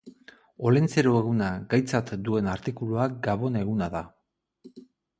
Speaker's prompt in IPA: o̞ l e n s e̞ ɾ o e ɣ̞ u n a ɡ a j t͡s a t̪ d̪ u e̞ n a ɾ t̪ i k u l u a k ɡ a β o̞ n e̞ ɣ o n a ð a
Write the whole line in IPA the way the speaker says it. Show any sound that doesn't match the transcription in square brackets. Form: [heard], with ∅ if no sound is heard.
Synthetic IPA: o̞ l e n [t͡s] e̞ ɾ o e ɣ̞ u n a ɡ a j t͡s a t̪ d̪ u e̞ n a ɾ t̪ i k u l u a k ɡ a β o̞ n e̞ ɣ [u] n a ð a